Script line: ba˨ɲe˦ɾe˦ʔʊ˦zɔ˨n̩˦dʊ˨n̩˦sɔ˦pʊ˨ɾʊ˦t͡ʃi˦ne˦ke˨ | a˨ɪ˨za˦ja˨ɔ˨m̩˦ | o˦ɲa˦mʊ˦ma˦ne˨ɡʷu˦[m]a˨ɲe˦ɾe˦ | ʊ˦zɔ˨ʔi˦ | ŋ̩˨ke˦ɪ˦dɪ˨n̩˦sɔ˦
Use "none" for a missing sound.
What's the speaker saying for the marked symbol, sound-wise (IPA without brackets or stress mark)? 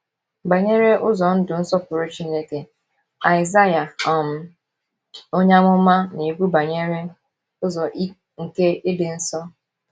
b